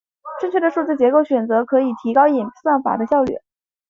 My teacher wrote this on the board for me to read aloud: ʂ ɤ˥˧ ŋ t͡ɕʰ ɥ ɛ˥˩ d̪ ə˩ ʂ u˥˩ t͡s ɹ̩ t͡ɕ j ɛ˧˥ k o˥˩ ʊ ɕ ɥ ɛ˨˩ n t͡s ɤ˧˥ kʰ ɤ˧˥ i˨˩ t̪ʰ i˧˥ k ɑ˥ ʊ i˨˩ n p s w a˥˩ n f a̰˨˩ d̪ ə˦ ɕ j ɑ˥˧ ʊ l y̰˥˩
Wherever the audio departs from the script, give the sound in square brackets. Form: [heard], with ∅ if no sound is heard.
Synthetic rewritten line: [ʈ͡ʂ] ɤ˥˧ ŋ t͡ɕʰ ɥ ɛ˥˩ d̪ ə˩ ʂ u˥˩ t͡s ɹ̩ t͡ɕ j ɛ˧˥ k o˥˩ ʊ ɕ ɥ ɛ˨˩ n t͡s ɤ˧˥ kʰ ɤ˧˥ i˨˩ t̪ʰ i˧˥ k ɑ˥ ʊ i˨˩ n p s w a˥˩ n f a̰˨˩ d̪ ə˦ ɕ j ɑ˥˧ ʊ l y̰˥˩